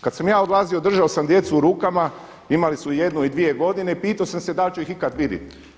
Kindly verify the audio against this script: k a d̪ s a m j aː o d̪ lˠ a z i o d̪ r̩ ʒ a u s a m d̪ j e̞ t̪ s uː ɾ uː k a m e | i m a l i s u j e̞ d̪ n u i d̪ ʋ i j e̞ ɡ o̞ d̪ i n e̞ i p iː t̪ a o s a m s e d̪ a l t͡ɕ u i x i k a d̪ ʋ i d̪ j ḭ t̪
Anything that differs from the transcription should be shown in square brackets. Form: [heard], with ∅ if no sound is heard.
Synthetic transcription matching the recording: k a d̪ s a m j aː o d̪ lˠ a z i o d̪ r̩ ʒ a [o] s a m d̪ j e̞ t̪ s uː ɾ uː k a m [a] | i m a l i s u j e̞ d̪ n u i d̪ ʋ i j e̞ ɡ o̞ d̪ i n e̞ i p iː t̪ a o s a m s e d̪ a l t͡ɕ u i x i k a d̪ ʋ i d̪ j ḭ t̪